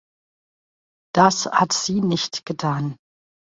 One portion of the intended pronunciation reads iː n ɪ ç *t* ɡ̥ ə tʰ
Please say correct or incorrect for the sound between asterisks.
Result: correct